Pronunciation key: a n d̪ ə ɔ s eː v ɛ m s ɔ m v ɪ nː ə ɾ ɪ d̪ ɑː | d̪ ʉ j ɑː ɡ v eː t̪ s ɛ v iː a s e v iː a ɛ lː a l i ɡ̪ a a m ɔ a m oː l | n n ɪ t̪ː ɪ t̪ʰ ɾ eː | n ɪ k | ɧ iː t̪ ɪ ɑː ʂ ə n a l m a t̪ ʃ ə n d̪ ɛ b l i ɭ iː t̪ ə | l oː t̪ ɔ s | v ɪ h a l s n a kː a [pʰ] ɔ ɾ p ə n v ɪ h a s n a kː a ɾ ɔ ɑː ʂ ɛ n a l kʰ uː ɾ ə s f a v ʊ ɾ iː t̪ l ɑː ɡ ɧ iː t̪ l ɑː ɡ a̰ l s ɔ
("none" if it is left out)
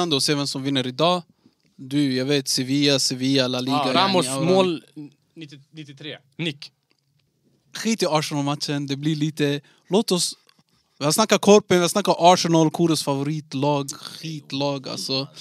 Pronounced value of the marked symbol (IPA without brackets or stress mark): kʰ